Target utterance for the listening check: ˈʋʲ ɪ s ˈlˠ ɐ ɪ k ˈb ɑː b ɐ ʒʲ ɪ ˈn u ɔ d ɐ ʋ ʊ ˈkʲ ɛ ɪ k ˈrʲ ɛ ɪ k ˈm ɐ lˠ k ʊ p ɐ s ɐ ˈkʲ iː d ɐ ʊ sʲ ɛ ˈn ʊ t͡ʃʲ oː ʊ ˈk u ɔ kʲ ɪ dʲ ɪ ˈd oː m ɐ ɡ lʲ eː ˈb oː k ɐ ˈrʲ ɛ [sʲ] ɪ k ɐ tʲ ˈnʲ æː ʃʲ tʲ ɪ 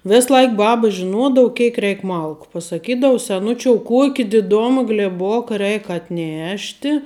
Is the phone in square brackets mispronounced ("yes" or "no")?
yes